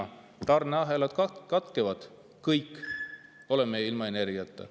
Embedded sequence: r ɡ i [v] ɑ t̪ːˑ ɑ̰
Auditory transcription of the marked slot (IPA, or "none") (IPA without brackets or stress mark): none